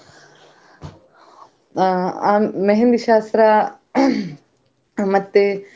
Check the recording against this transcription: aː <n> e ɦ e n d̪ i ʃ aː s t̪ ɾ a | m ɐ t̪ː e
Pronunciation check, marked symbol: incorrect: m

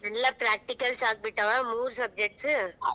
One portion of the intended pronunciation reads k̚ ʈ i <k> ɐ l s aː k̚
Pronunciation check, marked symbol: correct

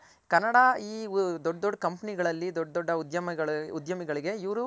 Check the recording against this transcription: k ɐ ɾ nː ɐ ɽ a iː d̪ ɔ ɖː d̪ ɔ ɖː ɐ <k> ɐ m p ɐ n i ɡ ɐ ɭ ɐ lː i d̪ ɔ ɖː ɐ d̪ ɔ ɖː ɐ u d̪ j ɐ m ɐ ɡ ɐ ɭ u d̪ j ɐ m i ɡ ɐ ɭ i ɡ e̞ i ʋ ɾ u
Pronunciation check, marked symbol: correct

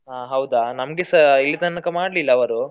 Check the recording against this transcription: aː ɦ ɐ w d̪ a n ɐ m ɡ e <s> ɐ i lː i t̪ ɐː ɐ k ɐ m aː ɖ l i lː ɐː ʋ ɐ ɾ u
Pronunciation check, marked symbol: correct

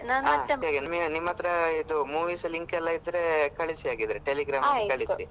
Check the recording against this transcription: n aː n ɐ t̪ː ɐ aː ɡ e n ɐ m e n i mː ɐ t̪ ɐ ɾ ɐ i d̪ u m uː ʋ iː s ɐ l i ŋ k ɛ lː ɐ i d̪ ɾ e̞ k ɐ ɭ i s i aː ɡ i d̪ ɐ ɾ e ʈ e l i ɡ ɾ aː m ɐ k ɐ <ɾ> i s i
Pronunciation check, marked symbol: incorrect: ɭ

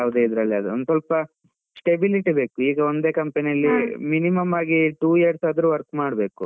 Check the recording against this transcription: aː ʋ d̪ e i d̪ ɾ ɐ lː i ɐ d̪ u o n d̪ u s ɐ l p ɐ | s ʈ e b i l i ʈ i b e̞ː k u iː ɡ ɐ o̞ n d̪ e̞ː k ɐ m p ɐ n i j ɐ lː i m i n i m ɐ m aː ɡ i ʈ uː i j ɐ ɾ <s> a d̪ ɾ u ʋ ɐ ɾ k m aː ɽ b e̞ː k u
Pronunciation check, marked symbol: correct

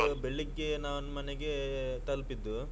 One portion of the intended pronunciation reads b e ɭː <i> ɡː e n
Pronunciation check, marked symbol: correct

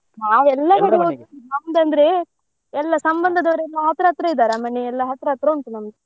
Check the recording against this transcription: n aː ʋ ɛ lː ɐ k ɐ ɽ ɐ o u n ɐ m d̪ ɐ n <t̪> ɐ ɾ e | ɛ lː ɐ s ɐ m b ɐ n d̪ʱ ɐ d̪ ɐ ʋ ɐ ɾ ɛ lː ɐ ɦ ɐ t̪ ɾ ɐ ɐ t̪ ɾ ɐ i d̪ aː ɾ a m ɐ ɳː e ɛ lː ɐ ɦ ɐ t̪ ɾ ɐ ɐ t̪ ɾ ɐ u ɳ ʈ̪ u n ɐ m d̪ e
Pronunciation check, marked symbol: incorrect: d̪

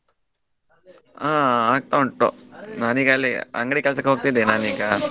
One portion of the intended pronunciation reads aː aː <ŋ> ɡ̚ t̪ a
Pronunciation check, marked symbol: incorrect: none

